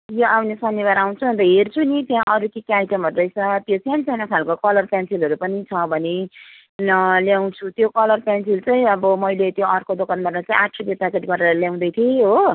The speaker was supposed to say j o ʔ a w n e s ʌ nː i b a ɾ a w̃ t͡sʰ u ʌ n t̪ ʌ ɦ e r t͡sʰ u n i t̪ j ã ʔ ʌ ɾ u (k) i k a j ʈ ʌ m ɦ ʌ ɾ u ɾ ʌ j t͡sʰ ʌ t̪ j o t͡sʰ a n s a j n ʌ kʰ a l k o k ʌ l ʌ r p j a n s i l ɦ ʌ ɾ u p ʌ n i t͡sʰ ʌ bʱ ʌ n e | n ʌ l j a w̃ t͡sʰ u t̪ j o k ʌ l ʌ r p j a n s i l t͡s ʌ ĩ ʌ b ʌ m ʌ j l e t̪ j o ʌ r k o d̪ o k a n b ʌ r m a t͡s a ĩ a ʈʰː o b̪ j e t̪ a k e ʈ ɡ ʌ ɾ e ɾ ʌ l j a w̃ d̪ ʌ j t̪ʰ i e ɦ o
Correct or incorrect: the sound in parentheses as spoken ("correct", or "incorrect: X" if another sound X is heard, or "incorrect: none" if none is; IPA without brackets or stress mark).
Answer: correct